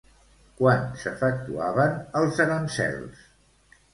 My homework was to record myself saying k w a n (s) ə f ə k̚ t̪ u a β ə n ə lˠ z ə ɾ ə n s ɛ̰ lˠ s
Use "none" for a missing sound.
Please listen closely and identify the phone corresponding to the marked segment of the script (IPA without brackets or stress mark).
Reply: s